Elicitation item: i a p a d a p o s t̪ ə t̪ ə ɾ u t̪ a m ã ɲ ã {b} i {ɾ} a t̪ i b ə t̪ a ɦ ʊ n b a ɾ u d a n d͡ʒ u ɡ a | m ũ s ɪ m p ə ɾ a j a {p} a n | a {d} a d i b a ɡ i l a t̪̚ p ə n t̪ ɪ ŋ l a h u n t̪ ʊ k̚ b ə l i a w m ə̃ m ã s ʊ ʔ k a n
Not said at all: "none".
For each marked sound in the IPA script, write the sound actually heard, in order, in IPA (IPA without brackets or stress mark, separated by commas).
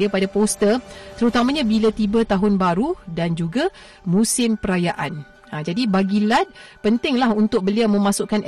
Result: b, l, ʔ, d͡ʒ